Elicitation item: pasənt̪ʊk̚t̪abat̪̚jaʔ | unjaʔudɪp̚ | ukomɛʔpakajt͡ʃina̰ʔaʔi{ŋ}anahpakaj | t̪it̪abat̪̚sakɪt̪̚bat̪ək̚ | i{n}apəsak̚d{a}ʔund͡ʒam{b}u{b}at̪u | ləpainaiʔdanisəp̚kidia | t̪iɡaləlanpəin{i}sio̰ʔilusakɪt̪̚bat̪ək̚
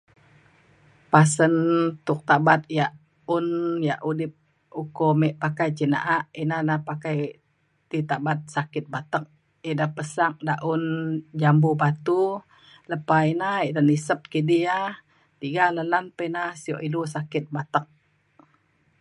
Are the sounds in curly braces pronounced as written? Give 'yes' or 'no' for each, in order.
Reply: no, no, yes, yes, yes, no

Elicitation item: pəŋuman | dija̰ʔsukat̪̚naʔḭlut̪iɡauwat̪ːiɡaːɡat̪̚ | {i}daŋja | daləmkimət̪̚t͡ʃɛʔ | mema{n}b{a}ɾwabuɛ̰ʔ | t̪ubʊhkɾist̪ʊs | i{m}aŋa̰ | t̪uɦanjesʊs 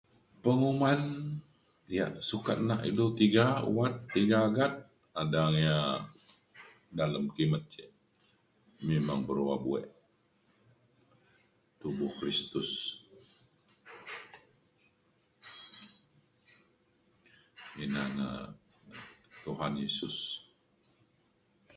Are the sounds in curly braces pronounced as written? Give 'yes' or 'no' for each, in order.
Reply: no, no, no, no

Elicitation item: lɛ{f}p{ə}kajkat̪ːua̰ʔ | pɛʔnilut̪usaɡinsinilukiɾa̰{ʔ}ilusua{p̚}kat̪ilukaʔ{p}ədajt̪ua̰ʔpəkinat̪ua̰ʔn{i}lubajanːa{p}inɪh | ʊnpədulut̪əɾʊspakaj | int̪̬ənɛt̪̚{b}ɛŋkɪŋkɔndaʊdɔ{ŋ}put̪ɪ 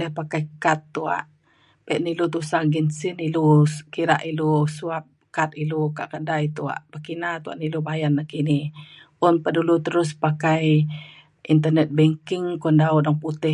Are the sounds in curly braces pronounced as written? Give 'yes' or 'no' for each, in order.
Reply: no, no, yes, yes, no, yes, no, yes, yes

